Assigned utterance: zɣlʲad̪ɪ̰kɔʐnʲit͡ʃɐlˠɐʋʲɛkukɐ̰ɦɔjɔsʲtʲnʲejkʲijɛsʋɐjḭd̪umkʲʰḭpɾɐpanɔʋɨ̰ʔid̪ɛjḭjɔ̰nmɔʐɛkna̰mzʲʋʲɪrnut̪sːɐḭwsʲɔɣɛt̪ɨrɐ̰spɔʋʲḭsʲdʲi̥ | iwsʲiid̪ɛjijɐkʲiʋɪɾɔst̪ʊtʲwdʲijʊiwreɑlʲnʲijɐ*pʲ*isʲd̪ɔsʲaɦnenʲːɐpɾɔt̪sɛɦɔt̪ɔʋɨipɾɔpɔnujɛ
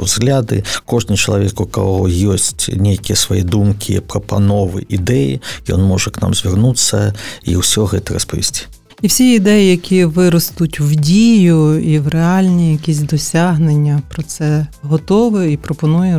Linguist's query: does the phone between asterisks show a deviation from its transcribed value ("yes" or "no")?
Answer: yes